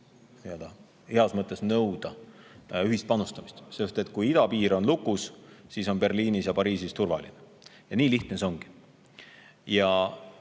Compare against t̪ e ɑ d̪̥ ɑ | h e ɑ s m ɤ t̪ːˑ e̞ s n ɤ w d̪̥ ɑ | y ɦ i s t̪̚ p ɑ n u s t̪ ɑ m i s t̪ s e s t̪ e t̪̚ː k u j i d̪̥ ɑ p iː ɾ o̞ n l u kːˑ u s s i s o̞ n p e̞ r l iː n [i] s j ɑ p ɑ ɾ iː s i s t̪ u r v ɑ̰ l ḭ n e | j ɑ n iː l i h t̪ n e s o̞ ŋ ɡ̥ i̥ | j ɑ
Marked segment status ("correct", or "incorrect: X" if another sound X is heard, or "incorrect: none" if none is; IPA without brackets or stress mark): correct